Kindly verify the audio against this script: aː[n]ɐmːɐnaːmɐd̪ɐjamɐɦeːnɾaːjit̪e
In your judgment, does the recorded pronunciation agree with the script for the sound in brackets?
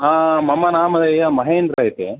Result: no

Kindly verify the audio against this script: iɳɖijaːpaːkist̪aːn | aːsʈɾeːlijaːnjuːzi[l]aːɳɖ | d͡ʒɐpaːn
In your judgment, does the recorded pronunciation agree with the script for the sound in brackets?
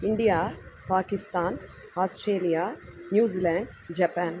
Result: yes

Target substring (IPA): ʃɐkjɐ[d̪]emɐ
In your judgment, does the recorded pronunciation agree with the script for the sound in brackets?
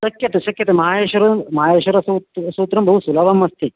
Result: no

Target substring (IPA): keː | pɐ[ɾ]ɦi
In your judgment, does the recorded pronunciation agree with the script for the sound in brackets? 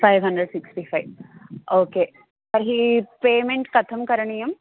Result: yes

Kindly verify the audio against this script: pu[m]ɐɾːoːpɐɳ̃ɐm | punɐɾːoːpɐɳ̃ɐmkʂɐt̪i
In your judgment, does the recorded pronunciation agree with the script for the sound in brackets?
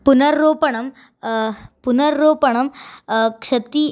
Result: no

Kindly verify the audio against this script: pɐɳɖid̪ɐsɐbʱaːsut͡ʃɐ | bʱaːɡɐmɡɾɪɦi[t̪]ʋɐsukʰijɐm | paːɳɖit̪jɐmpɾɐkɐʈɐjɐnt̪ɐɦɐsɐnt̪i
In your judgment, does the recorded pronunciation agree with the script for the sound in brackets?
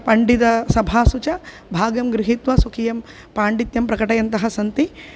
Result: yes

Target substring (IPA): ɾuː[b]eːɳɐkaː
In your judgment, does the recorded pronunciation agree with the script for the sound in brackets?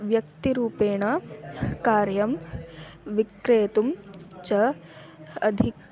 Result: no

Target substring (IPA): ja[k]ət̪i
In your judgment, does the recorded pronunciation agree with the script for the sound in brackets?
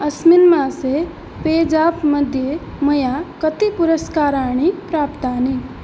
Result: yes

